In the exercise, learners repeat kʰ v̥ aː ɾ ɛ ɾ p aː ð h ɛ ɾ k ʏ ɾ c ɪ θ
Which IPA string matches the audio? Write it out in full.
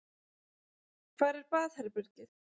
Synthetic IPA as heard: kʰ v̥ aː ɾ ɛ ɾ p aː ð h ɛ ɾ p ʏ ɾ c ɪ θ